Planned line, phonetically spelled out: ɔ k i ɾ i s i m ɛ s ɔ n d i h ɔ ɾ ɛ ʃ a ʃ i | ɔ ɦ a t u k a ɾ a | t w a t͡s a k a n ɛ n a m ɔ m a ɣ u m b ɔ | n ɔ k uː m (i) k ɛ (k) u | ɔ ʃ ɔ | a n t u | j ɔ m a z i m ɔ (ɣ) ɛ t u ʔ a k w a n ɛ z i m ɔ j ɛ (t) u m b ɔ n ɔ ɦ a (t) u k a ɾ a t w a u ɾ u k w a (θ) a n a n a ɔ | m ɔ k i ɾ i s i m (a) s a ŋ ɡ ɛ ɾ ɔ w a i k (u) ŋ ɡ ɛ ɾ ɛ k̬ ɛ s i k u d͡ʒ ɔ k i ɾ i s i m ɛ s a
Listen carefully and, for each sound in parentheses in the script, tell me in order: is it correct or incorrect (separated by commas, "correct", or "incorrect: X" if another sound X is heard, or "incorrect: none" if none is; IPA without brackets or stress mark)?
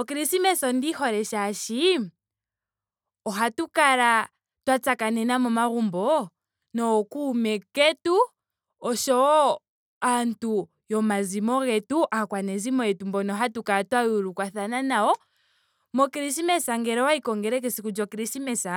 incorrect: ɛ, incorrect: t, correct, correct, correct, correct, incorrect: ɛ, incorrect: ɔ